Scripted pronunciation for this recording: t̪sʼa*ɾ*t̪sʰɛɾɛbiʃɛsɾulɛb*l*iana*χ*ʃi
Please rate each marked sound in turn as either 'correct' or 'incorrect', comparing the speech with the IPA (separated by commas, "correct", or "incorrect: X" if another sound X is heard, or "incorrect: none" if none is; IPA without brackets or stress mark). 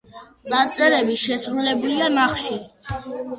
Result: correct, correct, correct